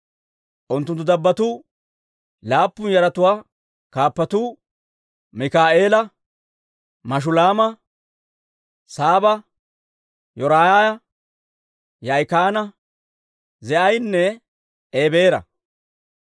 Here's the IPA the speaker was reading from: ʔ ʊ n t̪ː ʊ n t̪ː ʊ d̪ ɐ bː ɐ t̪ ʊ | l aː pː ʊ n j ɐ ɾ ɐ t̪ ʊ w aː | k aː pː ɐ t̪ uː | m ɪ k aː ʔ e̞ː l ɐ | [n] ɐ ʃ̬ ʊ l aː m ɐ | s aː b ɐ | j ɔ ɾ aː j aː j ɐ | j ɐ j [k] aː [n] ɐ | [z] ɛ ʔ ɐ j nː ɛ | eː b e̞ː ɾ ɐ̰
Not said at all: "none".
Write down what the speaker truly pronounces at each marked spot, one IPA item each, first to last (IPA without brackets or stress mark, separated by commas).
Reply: m, k, n, z